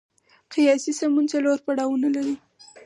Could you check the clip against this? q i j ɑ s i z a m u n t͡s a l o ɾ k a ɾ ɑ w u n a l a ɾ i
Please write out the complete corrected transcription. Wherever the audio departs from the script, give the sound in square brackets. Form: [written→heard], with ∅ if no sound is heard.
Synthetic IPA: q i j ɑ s i [z→s] a m u n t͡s a l o ɾ [k→p] a [ɾ→ɽ] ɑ w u n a l a ɾ i